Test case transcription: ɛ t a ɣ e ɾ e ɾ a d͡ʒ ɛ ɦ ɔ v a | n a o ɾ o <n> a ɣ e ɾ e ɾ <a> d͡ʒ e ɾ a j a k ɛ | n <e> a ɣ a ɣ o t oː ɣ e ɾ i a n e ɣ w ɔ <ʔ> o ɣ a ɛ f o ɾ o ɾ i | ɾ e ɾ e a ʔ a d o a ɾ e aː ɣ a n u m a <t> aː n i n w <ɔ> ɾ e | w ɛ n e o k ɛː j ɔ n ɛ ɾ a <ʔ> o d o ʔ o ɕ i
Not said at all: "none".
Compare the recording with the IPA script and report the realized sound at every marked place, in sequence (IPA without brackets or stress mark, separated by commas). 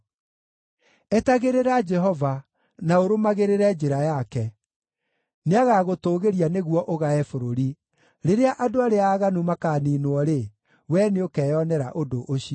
m, ɛ, e, ʔ, k, ɔ, ʔ